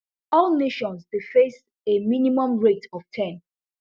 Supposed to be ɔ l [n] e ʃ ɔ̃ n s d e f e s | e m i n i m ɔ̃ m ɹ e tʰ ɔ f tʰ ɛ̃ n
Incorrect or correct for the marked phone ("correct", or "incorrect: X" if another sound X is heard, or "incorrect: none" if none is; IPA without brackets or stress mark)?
correct